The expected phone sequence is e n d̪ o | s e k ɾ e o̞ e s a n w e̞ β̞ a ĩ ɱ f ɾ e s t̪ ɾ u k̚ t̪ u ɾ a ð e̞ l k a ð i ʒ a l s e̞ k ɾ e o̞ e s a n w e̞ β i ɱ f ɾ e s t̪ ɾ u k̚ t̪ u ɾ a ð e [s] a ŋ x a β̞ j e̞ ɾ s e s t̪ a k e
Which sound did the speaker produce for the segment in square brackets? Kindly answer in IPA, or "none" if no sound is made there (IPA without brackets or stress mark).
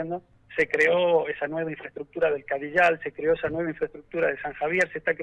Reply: s